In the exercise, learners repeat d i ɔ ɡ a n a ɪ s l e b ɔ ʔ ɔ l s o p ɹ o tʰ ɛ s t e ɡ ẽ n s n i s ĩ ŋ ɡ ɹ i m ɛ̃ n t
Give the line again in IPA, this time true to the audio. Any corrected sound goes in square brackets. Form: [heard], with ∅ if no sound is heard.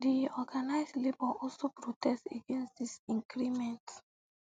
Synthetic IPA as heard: d i ɔ ɡ a n a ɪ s l e b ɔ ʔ ɔ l s o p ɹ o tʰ ɛ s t e ɡ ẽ n s [d] i s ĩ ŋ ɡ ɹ i m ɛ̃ n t